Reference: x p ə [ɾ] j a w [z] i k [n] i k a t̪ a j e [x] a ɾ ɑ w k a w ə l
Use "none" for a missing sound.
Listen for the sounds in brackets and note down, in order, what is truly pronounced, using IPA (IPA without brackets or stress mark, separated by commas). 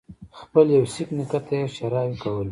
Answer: l, s, n, ʃ